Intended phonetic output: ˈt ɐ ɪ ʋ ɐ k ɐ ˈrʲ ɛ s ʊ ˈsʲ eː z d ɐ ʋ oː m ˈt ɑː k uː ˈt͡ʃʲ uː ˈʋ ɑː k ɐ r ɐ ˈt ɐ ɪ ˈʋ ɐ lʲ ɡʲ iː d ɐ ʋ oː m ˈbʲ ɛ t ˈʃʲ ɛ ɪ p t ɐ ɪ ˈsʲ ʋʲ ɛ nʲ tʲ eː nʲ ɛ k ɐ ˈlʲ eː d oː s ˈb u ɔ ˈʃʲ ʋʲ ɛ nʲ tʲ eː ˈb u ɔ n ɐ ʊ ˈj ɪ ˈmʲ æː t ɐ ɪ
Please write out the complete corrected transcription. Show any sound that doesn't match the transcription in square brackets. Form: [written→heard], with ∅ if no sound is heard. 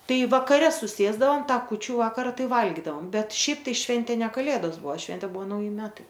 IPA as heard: ˈt ɐ ɪ ʋ ɐ k ɐ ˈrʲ ɛ s ʊ ˈsʲ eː z d ɐ ʋ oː m ˈt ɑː k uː ˈt͡ʃʲ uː ˈʋ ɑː k ɐ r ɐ ˈt ɐ ɪ ˈʋ ɐ lʲ ɡʲ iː d ɐ ʋ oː m ˈbʲ ɛ t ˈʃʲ ɛ ɪ p t ɐ ɪ [ˈsʲ→ˈʃʲ] ʋʲ ɛ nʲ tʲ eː nʲ ɛ k ɐ ˈlʲ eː d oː s ˈb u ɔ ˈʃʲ ʋʲ ɛ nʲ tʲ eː ˈb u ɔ n ɐ ʊ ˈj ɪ ˈmʲ æː t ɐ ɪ